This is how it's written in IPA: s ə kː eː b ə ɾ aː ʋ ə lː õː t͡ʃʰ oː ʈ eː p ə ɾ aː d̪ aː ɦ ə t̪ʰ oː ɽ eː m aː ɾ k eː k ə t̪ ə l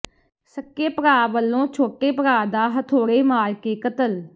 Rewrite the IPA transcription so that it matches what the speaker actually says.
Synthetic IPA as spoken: s ə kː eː p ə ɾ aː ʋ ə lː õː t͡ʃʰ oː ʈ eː p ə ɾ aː d̪ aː ɦ ə t̪ʰ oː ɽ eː m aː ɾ k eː k ə t̪ ə l